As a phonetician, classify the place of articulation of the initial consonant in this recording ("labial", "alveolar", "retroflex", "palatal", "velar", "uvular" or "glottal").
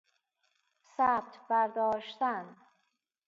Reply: alveolar